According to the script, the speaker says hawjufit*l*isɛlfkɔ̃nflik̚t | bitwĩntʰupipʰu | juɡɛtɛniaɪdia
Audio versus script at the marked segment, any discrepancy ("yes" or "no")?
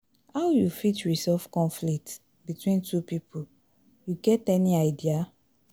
yes